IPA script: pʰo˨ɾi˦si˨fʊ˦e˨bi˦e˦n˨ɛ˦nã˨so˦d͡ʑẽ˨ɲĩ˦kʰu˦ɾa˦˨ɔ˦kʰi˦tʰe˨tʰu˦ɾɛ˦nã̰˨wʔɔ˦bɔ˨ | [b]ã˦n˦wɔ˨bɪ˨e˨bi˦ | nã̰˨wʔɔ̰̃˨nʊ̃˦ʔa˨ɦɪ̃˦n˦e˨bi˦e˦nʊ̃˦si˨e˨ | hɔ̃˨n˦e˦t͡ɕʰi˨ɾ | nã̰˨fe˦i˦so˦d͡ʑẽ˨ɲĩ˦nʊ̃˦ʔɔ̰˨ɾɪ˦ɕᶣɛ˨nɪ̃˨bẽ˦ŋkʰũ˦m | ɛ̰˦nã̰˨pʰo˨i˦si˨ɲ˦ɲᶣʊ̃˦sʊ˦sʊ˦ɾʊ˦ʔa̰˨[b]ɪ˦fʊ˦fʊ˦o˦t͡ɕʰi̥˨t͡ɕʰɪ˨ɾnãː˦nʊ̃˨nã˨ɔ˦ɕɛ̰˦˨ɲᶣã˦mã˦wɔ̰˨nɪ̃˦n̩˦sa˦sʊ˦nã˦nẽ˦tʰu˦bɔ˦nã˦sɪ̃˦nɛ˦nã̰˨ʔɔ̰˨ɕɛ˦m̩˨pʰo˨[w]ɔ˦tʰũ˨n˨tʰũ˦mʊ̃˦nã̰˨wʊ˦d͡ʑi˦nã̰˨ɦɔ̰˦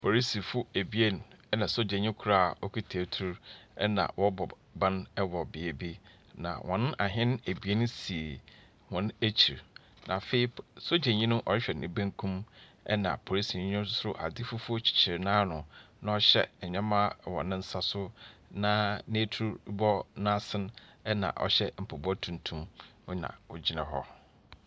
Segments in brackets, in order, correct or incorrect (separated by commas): correct, incorrect, incorrect